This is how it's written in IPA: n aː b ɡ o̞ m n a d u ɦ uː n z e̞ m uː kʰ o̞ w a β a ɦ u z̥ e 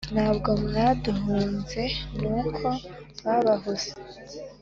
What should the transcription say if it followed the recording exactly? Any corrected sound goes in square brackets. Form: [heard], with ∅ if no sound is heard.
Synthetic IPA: n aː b ɡ o̞ m n a d u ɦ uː n z e̞ [n] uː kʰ o̞ [β] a β a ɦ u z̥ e